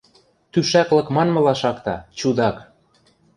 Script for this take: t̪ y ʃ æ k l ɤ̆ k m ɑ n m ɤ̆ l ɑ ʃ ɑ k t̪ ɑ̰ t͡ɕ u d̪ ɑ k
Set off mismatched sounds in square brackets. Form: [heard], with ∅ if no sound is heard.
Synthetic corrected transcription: t̪ y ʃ æ k l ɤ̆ k m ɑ n m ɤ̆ l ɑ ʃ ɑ k t̪ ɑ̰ t͡ɕ u d̪ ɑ k